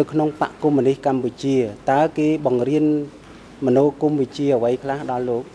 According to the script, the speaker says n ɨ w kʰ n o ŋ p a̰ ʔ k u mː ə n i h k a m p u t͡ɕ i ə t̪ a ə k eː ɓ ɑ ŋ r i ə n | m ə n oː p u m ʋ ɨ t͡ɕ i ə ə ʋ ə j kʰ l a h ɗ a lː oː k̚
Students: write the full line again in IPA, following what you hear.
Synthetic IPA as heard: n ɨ w kʰ n o ŋ p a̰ ʔ k u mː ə n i h k a m p u t͡ɕ i ə t̪ a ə k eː ɓ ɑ ŋ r i ə n | m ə n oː k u m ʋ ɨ t͡ɕ i ə ə ʋ ə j kʰ l a h ɗ ɑ lː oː k̚